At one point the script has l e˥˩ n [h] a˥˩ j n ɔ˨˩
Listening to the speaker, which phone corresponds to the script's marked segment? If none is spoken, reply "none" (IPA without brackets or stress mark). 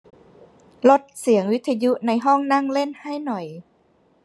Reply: h